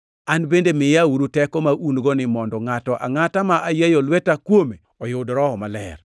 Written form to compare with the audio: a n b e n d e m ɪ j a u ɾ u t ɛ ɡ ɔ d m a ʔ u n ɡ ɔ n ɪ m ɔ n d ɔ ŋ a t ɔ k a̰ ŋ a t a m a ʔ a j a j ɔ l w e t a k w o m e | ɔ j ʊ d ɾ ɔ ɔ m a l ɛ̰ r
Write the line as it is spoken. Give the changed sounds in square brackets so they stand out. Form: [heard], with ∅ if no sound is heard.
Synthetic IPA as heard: a n b e n d e m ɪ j a u ɾ u t ɛ [k] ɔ [∅] m a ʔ u n ɡ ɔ n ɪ m ɔ n d ɔ ŋ a t ɔ [ʔ] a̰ ŋ a t a m a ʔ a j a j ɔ l w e t a k w o m e | ɔ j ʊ d ɾ ɔ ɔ m a l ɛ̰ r